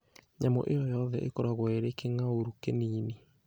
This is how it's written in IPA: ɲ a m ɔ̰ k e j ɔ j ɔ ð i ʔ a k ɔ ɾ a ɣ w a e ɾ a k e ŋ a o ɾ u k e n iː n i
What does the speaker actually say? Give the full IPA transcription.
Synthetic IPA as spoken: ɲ a m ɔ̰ ʔ e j ɔ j ɔ ð ɛ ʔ e k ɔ ɾ a ɣ w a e ɾ e k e ŋ a o ɾ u k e n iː n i